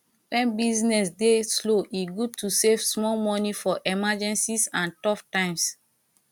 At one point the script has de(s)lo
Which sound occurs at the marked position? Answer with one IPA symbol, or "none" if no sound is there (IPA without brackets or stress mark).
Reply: s